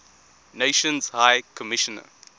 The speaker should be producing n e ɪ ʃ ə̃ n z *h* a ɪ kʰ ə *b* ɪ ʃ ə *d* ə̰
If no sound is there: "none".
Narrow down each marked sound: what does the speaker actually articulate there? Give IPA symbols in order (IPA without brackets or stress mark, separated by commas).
h, m, n